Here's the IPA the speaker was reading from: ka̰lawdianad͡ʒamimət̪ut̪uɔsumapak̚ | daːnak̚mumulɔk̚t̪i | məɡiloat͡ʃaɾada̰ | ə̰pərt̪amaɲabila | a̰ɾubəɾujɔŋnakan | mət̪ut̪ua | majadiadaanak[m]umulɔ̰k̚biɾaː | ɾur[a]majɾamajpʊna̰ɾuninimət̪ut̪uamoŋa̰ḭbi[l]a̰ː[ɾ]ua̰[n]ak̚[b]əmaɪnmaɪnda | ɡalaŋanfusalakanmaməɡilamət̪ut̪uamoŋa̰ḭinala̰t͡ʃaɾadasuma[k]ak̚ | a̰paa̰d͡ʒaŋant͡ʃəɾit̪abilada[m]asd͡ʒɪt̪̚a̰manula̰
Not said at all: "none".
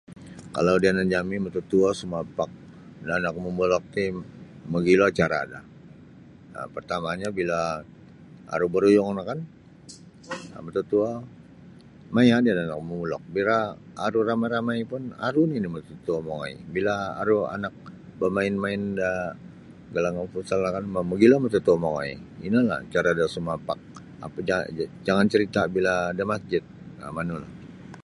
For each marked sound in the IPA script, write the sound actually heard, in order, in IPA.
m, a, l, ɾ, n, b, p, m

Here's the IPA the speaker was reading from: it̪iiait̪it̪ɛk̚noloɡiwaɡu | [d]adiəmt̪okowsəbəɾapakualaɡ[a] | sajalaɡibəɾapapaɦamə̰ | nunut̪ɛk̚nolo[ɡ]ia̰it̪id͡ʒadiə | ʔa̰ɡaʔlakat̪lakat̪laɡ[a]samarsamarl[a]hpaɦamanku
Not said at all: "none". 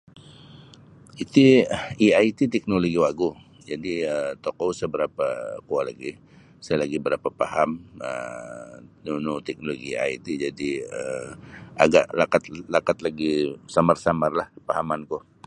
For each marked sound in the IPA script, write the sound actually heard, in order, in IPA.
d͡ʒ, i, ɡ, i, a

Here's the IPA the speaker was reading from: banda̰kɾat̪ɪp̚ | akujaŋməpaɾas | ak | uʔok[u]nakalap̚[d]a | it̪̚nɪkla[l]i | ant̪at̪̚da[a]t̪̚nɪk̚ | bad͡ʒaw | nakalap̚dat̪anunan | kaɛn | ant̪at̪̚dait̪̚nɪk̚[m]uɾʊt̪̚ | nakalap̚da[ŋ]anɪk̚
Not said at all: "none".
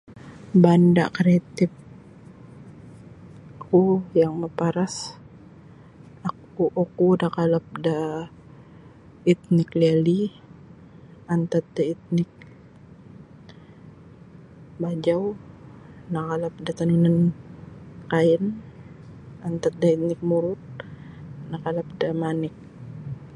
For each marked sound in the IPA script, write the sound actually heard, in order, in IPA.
u, d, l, i, m, m

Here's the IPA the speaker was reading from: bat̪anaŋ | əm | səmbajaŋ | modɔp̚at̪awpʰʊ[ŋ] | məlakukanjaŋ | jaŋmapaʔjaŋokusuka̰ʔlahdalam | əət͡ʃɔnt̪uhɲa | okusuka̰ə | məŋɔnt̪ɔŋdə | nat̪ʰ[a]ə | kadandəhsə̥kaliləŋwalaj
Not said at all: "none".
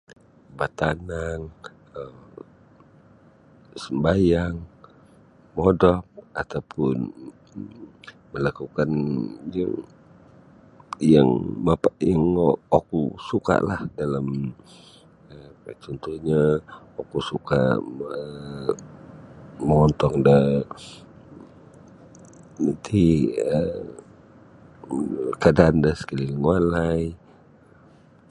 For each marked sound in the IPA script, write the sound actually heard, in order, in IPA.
n, i

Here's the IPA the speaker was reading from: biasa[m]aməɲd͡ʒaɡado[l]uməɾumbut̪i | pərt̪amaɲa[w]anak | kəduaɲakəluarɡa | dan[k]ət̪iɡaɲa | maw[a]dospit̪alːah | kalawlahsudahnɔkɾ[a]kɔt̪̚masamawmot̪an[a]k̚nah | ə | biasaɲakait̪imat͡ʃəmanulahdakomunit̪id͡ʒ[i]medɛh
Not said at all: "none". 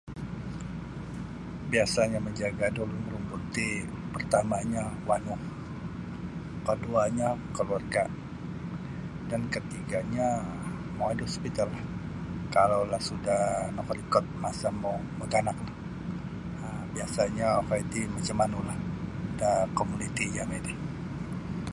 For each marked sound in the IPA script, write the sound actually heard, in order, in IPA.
ɲ, l, w, k, a, i, a, a

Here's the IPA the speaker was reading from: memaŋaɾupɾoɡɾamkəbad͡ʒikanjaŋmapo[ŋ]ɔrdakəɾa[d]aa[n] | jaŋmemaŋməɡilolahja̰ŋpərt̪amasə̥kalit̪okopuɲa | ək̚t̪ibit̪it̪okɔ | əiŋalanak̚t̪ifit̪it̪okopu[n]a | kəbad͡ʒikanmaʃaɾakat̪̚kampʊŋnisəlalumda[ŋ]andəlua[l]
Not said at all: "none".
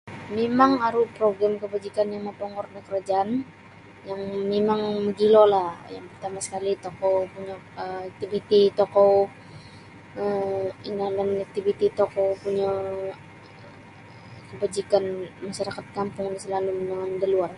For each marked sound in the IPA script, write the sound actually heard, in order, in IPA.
ŋ, d͡ʒ, n, ɲ, ŋ, r

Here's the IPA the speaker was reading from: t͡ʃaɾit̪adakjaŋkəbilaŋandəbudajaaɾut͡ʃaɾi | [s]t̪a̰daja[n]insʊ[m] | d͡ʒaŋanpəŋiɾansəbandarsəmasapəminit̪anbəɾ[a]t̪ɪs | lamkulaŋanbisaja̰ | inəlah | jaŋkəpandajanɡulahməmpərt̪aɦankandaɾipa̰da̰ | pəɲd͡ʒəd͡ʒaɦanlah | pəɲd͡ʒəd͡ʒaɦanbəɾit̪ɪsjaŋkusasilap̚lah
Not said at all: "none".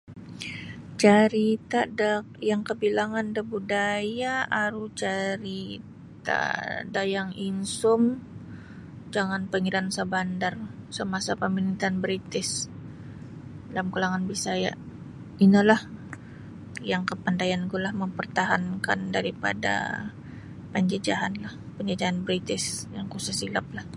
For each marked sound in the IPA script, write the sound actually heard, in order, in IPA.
t, ŋ, m, i

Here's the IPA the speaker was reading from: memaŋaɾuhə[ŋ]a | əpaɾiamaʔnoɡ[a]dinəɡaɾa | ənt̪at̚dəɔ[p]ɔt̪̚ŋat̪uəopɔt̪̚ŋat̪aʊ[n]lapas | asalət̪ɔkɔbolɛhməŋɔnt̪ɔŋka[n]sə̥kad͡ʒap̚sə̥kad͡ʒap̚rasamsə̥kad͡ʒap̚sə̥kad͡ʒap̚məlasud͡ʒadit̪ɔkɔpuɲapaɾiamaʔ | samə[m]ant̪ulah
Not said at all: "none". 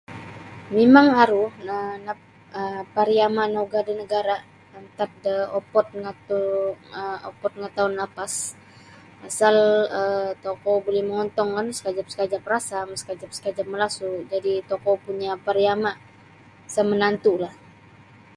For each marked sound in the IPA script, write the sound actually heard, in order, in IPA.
n, a, p, n, n, n

